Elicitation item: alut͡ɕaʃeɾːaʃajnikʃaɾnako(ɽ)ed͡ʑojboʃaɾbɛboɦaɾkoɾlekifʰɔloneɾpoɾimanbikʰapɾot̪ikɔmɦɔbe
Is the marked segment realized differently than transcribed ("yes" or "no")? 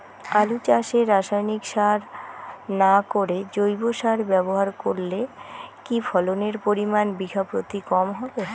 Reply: yes